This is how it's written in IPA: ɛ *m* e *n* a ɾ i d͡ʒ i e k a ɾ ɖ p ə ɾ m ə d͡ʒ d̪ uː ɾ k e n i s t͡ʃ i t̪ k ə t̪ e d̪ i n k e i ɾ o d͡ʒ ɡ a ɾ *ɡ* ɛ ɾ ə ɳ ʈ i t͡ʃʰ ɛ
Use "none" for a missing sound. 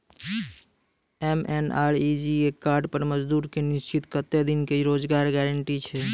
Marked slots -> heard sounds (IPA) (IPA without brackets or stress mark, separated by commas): m, n, ɡ